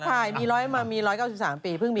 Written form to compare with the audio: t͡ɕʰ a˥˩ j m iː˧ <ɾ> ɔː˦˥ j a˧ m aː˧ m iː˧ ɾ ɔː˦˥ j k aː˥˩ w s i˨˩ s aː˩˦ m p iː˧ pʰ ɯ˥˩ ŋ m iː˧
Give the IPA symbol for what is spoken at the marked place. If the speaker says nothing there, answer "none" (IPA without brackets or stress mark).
ɾ